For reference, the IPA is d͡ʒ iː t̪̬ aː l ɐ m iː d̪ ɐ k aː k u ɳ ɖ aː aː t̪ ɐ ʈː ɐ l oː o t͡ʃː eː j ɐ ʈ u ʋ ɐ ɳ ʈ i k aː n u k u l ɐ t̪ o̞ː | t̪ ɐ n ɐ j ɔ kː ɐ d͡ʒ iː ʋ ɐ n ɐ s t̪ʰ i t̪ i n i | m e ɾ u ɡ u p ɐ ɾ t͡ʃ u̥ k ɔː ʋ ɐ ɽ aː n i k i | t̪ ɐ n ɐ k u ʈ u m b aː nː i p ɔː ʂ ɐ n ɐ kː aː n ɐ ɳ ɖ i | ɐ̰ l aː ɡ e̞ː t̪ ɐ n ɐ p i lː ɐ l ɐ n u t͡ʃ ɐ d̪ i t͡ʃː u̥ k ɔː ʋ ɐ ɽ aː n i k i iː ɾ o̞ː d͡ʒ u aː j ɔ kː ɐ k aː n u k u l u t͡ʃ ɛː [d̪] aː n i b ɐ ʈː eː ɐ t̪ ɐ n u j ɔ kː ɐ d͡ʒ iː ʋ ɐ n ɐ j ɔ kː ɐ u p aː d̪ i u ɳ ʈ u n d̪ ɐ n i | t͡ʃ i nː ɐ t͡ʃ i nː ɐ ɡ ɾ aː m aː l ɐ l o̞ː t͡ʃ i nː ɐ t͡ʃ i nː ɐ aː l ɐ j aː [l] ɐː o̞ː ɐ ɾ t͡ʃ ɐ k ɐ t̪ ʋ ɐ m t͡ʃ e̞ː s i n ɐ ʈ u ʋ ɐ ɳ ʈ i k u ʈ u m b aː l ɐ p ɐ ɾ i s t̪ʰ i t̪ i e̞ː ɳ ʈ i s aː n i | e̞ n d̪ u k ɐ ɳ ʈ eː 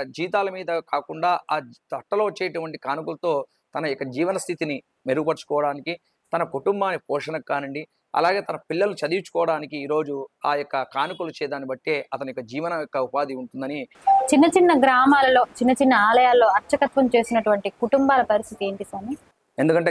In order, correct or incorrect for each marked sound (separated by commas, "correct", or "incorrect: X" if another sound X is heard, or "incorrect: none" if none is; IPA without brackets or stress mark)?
correct, correct